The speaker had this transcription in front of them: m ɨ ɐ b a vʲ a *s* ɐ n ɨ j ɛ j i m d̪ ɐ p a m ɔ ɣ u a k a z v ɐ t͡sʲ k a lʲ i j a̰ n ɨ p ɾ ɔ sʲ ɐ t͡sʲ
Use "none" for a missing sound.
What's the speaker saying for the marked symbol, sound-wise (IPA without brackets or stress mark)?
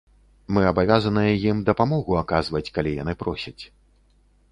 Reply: z